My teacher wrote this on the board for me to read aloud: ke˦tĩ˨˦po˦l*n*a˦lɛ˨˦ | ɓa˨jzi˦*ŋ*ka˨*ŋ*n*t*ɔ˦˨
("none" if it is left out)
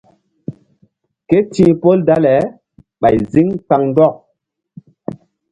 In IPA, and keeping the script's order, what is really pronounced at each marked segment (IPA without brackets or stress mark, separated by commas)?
d, ŋ, ŋ, d